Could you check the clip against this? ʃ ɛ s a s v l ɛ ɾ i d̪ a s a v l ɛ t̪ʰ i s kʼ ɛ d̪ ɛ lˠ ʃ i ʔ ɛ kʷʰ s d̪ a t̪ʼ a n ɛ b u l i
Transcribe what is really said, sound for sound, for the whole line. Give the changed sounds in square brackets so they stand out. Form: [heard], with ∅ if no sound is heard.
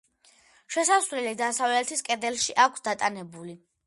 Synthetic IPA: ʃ ɛ s a s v l ɛ [l] i d̪ a s a v l ɛ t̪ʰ i s kʼ ɛ d̪ ɛ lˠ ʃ i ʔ [a] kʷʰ s d̪ a t̪ʼ a n ɛ b u l i